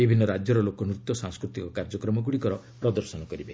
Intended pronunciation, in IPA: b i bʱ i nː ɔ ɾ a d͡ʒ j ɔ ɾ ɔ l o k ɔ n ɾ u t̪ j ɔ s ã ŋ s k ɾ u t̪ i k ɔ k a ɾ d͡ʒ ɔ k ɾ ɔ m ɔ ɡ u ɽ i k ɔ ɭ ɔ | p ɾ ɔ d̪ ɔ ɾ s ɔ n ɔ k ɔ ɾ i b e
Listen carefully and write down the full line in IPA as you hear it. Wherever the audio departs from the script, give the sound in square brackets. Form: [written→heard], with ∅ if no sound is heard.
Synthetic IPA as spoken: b i bʱ i nː ɔ ɾ a d͡ʒ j ɔ ɾ ɔ l o k ɔ n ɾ u t̪ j ɔ s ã ŋ s k ɾ u t̪ i k ɔ k a ɾ d͡ʒ ɔ k ɾ ɔ m ɔ ɡ u ɽ i k ɔ [ɭ→ɾ] ɔ | p ɾ ɔ d̪ ɔ ɾ s ɔ n ɔ k ɔ ɾ i b e